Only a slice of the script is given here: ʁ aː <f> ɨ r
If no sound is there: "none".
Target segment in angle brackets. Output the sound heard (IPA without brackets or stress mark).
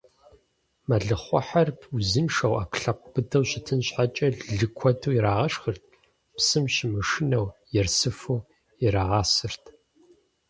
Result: s